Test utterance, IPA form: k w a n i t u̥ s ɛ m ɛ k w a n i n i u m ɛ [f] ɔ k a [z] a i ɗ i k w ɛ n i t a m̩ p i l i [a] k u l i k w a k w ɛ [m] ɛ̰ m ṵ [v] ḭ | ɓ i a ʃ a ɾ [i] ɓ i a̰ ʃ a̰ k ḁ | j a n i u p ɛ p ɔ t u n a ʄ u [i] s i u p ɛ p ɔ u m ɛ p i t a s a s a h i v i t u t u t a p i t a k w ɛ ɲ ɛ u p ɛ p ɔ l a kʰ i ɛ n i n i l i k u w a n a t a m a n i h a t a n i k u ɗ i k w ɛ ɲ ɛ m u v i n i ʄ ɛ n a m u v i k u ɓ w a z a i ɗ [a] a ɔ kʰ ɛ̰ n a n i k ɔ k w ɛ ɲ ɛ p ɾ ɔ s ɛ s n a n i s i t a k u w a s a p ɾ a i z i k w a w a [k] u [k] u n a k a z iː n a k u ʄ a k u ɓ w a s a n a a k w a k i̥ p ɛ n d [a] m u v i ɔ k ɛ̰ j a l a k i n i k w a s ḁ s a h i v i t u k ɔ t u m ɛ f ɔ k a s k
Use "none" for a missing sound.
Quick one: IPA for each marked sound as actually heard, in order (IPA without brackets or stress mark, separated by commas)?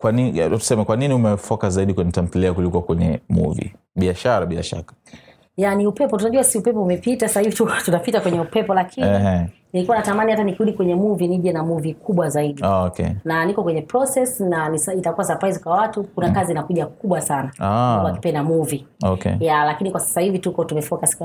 f, z, a, ɲ, v, a, a, i, t, k, a